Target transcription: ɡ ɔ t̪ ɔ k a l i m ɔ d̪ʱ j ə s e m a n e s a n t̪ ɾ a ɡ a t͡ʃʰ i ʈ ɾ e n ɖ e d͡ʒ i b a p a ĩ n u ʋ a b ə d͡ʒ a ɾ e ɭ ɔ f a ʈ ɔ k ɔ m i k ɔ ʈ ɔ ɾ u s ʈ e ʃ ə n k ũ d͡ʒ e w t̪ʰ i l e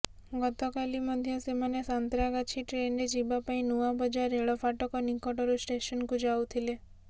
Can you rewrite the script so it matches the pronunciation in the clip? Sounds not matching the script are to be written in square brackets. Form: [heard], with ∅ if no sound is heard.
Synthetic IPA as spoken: ɡ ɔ t̪ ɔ k a l i m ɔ d̪ʱ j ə s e m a n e s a n t̪ ɾ a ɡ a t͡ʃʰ i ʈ ɾ e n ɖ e d͡ʒ i b a p a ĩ n u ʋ a b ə d͡ʒ a ɾ e ɭ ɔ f a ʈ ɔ k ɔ [n] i k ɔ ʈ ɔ ɾ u s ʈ e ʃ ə n k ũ d͡ʒ [a] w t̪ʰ i l e